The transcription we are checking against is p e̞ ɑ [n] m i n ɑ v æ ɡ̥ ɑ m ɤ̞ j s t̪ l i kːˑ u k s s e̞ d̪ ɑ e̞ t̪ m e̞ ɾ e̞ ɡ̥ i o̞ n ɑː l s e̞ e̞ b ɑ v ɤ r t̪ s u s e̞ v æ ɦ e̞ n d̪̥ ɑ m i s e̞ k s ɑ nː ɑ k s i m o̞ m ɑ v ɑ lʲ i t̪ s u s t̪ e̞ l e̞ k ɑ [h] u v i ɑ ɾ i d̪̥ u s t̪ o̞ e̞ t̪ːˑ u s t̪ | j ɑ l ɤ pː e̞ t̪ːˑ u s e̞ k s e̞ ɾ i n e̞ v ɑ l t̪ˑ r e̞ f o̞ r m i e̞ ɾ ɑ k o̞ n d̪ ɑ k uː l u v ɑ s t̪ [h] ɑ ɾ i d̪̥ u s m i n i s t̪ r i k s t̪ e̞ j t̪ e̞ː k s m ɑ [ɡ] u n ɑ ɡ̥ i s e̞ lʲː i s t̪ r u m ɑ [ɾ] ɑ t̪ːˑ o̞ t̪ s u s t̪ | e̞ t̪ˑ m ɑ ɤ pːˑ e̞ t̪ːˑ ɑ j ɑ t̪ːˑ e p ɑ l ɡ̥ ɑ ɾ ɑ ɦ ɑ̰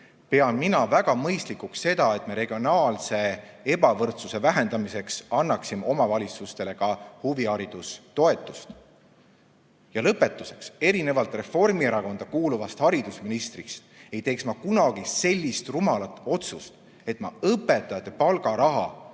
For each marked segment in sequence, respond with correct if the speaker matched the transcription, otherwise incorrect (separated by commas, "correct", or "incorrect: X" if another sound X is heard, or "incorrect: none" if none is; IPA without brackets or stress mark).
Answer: correct, correct, correct, incorrect: k, incorrect: l